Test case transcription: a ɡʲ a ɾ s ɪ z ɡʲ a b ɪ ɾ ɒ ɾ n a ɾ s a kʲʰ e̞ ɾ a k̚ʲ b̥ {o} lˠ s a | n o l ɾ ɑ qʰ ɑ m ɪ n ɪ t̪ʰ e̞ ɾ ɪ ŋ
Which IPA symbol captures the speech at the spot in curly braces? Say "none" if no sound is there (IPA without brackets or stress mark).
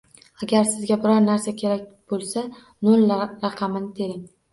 o